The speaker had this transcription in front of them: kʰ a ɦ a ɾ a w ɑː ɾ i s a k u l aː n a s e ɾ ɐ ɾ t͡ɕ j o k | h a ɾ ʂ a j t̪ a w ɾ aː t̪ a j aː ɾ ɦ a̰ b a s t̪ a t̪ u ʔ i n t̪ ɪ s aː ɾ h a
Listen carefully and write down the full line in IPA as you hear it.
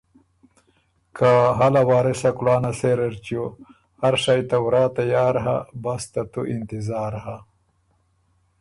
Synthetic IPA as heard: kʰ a ɦ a l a w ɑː ɾ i s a k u l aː n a s e ɾ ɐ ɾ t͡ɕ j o | h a ɾ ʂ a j t̪ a w ɾ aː t̪ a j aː ɾ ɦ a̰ b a s t̪ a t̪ u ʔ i n t̪ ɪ z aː ɾ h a